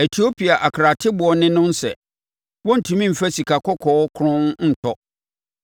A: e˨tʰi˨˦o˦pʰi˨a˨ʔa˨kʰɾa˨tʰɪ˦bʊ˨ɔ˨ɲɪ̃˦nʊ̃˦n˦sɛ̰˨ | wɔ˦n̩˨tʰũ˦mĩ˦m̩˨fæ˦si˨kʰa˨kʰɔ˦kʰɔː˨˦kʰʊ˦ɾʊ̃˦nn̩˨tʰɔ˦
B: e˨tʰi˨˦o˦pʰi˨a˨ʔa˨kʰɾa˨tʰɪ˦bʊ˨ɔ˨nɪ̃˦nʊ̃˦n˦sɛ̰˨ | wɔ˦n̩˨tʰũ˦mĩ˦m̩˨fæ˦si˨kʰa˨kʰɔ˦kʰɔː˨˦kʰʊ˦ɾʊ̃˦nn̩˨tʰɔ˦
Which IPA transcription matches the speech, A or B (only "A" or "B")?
B